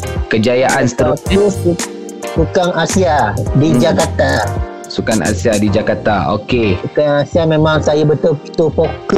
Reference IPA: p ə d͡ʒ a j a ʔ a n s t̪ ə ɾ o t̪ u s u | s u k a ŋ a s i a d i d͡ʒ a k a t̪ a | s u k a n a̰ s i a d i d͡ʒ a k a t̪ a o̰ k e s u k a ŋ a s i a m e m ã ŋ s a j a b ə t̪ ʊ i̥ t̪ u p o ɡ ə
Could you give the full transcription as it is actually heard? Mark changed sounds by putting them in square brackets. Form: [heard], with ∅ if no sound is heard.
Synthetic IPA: [k] ə d͡ʒ a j a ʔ a n s t̪ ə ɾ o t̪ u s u | s u k a ŋ a s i a d i d͡ʒ a k a t̪ a | s u k a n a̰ s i a d i d͡ʒ a k a t̪ a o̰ k e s u k a ŋ a s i a m e m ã ŋ s a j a b ə t̪ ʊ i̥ t̪ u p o [k] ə